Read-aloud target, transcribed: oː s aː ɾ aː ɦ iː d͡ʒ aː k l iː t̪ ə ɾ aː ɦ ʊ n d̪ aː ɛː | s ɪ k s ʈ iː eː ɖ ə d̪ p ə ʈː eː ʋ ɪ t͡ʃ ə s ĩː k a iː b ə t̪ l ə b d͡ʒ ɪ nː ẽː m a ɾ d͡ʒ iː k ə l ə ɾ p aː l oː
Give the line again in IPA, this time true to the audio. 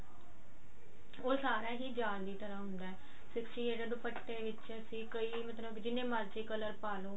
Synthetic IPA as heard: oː s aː ɾ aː ɦ iː d͡ʒ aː l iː t̪ ə ɾ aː ɦ ʊ n d̪ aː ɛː | s ɪ k s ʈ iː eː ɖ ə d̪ p ə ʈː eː ʋ ɪ t͡ʃ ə s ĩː k ə iː m ə t̪ l ə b d͡ʒ ɪ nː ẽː m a ɾ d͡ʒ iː k ə l ə ɾ p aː l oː

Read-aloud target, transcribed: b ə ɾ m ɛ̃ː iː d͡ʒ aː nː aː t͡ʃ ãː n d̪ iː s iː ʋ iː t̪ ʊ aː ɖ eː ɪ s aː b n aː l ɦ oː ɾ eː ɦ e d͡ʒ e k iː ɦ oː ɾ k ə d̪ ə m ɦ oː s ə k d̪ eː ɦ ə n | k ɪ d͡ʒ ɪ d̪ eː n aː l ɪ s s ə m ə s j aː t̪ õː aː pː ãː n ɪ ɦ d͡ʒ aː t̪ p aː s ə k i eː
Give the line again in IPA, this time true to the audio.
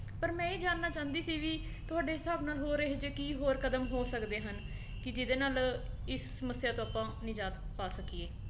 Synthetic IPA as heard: p ə ɾ m ɛ̃ː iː d͡ʒ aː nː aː t͡ʃ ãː n d̪ iː s iː ʋ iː t̪ ʊ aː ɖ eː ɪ s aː b n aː l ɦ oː ɾ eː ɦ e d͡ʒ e k iː ɦ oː ɾ k ə d̪ ə m ɦ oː s ə k d̪ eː ɦ ə n | k ɪ d͡ʒ ɪ d̪ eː n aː l ɪ s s ə m ə s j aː t̪ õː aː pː ãː n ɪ d͡ʒ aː t̪ p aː s ə k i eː

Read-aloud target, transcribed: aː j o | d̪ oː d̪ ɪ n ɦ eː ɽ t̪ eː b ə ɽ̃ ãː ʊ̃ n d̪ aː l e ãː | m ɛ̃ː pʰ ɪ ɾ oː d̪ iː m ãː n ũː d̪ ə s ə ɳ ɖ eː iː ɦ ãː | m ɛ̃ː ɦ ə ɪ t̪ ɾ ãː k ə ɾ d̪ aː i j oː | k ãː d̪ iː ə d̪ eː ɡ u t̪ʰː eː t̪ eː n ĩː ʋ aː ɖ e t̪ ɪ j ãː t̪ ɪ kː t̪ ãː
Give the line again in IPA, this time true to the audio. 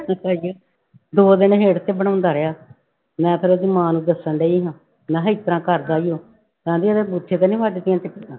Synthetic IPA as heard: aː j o | d̪ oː d̪ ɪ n ɦ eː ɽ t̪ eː b ə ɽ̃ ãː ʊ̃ n d̪ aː ɾ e aː | m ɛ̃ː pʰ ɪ ɾ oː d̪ iː m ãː n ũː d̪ ə s ə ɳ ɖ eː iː ɦ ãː | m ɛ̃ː ɦ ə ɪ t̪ ɾ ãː k ə ɾ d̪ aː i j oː | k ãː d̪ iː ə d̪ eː b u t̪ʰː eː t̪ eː n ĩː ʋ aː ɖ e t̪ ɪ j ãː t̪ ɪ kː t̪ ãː

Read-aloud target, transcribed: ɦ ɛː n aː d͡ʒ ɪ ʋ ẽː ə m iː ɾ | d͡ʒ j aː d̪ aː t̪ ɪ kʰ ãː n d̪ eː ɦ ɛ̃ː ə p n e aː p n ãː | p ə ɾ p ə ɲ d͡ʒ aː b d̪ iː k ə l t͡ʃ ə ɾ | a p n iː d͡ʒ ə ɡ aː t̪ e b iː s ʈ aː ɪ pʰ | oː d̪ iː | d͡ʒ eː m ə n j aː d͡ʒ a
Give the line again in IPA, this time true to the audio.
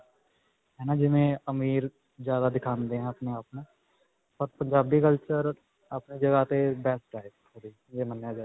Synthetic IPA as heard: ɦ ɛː n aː d͡ʒ ɪ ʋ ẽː ə m iː ɾ | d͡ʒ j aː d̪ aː d̪ ɪ kʰ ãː n d̪ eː ɦ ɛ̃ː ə p n e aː p n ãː | p ə ɾ p ə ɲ d͡ʒ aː b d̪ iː k ə l t͡ʃ ə ɾ | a p n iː d͡ʒ ə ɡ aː t̪ e b ɛː s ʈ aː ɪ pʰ | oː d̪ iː | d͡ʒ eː m ə n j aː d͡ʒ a

